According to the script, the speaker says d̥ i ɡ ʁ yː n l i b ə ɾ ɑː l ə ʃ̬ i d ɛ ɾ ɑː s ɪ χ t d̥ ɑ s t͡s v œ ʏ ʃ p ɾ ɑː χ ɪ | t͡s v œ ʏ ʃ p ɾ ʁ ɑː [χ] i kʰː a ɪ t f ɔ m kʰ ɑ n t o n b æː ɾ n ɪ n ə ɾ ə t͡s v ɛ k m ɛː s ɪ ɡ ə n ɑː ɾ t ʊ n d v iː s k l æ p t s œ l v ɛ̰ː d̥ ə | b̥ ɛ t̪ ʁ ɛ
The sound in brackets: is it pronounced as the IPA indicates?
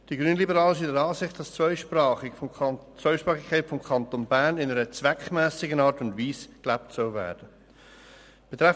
yes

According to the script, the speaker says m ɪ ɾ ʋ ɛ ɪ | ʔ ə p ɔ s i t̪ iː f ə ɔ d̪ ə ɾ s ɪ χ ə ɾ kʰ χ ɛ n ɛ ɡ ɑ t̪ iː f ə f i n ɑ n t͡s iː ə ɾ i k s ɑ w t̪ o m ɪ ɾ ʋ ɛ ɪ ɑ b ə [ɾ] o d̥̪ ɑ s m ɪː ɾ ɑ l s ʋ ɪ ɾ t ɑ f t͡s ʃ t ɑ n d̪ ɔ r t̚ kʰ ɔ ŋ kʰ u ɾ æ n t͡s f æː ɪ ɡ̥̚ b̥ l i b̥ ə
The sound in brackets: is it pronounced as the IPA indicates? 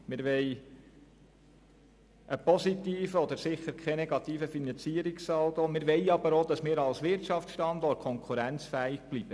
yes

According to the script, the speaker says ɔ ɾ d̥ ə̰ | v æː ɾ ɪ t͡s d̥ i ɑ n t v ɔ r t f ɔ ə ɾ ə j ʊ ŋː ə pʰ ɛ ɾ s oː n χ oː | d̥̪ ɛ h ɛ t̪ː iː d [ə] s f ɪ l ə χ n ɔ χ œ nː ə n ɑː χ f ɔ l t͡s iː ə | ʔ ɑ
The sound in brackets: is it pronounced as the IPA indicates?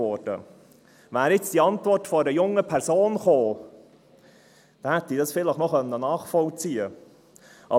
no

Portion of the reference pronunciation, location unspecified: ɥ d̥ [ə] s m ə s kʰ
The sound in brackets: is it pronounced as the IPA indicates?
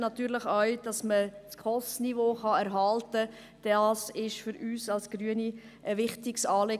no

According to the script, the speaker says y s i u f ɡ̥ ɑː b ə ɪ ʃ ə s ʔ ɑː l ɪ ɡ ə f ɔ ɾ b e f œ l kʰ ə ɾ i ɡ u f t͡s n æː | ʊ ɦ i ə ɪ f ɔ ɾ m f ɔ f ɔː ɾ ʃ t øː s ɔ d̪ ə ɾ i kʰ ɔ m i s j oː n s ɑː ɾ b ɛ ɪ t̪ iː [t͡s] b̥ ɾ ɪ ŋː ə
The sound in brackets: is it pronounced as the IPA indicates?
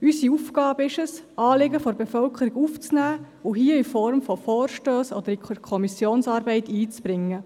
yes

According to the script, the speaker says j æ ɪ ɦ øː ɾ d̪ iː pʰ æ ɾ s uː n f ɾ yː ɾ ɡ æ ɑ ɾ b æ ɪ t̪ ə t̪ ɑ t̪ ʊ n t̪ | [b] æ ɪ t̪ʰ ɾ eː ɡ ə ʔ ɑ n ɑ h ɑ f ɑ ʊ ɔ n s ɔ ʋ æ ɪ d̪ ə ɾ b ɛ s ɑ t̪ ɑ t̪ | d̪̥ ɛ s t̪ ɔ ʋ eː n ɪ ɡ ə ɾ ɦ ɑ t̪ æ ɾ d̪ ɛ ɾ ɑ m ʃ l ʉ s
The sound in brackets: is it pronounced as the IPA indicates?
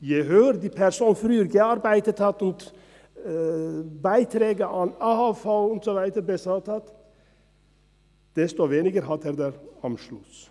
yes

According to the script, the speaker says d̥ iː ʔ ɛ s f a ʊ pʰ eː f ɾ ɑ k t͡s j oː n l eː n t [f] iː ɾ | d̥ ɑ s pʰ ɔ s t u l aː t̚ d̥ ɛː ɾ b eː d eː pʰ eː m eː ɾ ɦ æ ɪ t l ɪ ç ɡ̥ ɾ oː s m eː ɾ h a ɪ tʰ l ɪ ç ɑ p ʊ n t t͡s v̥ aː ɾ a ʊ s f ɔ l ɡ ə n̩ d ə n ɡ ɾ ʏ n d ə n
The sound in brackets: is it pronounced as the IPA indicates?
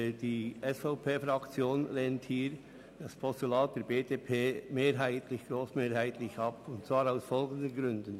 no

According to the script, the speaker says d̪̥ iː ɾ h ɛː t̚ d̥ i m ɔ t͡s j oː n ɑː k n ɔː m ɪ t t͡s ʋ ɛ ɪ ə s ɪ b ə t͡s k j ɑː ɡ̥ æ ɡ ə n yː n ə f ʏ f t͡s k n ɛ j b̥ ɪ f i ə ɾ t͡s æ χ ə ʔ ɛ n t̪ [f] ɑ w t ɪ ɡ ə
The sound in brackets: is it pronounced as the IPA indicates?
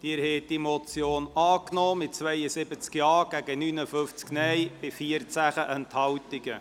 no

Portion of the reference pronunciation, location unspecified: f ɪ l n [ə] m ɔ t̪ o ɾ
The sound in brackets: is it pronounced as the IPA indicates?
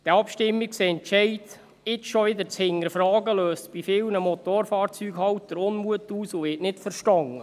yes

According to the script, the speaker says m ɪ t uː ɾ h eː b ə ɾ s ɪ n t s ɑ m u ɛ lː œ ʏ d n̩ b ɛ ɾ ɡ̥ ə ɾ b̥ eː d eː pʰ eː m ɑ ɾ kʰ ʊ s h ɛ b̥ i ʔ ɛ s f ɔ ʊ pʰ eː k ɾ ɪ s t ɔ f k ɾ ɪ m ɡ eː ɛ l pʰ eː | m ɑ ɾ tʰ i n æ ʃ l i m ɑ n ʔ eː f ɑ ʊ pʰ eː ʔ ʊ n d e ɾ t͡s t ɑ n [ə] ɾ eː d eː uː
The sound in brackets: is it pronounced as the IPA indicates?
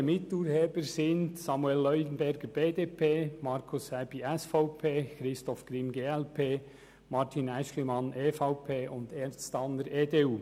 yes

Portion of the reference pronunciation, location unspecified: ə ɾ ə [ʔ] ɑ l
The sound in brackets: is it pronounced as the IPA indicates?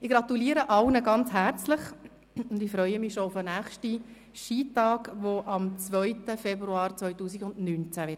yes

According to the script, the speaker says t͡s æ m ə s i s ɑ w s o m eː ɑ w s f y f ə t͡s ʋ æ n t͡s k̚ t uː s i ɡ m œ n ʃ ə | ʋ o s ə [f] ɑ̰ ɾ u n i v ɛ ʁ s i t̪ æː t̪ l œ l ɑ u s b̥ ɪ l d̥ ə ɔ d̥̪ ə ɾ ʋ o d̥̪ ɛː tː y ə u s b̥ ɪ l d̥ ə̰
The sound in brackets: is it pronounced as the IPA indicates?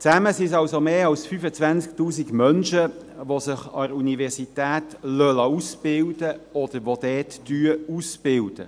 no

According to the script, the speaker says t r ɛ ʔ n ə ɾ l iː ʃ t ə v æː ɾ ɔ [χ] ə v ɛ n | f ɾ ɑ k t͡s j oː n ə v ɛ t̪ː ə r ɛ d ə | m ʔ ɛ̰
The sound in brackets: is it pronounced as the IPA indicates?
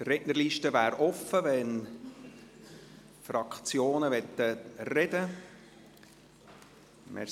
no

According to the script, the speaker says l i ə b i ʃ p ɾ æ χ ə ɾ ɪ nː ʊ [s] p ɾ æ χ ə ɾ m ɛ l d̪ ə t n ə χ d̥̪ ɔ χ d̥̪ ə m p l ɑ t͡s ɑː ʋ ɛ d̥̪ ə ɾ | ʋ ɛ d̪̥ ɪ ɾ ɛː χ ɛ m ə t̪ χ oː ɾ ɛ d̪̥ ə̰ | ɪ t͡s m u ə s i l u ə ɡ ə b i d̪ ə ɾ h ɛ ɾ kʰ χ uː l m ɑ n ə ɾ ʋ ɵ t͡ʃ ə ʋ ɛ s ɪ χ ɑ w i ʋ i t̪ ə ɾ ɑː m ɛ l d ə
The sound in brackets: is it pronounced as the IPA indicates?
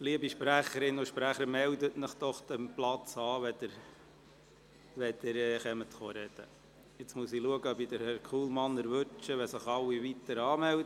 no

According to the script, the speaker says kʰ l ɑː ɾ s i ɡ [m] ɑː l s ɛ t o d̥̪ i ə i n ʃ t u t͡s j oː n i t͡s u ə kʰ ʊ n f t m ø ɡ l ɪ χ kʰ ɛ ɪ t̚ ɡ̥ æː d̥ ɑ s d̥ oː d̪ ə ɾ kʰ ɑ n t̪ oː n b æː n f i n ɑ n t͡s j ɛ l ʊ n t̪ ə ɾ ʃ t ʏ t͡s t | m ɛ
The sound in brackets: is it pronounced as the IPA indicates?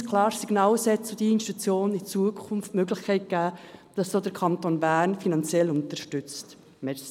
no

